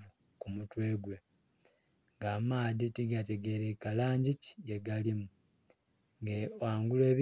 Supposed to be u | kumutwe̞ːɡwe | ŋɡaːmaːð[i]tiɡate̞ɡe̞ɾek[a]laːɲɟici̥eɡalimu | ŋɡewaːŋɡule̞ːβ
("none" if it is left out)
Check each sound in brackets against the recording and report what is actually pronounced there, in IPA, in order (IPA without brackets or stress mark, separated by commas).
i, a